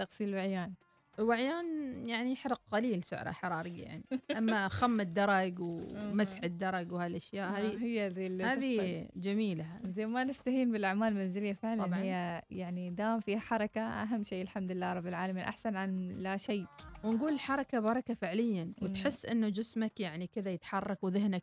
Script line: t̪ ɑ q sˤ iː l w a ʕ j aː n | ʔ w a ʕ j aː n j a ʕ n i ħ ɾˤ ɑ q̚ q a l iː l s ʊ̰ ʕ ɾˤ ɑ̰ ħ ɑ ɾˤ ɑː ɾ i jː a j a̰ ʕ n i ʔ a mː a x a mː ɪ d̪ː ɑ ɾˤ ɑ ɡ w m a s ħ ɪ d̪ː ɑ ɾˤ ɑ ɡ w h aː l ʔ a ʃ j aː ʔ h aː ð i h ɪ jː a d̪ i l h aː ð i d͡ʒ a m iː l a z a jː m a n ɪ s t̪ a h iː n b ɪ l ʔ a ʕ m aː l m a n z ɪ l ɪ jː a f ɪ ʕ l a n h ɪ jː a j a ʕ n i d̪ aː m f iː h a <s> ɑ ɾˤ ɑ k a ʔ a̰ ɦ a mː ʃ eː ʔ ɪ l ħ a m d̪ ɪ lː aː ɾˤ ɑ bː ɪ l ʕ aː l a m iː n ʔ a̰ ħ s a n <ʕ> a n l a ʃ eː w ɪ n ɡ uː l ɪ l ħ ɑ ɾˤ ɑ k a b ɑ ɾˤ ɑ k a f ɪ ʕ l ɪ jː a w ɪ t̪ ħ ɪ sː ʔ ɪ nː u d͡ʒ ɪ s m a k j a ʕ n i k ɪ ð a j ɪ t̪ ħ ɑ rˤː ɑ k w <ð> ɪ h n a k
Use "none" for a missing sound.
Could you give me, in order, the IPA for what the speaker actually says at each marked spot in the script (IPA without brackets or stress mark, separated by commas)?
ħ, ʕ, ð